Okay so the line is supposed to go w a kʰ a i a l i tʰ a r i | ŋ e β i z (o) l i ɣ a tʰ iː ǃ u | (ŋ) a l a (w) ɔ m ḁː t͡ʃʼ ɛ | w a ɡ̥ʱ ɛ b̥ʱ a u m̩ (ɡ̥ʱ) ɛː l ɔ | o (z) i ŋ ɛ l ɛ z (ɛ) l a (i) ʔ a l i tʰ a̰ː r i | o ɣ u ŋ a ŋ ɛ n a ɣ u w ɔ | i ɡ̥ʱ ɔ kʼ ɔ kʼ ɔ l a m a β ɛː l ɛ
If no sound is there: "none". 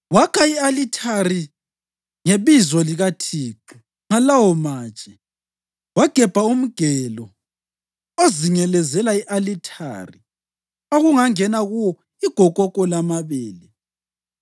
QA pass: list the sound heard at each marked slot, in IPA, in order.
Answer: ɔ, ŋ, w, ɡ̥ʱ, z, ɛ, i

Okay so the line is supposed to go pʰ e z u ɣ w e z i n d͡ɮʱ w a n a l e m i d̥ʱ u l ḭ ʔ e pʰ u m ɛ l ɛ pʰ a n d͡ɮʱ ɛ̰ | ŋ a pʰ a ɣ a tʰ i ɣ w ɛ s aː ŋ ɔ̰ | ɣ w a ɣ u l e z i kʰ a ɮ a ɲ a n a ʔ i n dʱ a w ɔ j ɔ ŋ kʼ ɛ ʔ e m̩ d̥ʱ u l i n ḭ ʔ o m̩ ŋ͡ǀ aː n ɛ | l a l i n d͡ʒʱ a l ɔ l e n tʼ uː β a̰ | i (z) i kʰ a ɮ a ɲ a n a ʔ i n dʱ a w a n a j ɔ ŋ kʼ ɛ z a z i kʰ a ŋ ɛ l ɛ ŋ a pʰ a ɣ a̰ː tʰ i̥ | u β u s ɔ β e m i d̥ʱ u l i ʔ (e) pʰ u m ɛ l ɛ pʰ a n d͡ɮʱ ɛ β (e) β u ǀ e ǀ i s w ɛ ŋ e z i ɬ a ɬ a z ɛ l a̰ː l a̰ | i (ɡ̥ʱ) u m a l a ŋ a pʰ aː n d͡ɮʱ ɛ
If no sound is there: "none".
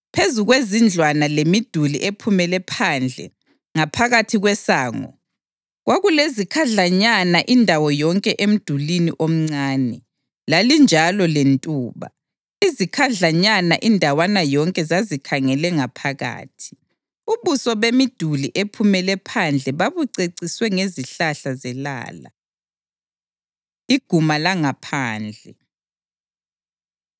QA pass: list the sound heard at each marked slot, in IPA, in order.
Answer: z, e, a, ɡ̥ʱ

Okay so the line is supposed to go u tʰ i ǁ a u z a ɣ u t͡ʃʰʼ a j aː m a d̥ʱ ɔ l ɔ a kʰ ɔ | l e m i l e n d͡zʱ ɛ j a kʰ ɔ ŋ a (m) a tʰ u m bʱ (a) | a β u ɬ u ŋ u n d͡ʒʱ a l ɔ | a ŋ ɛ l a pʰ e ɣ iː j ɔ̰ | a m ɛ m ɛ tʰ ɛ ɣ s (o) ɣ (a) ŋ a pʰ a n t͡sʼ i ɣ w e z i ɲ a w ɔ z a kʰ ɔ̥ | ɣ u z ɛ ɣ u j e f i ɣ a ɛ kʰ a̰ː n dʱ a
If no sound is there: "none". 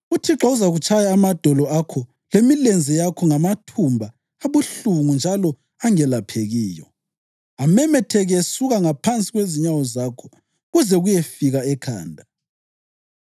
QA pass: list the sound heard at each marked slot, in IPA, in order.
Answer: m, a, u, a

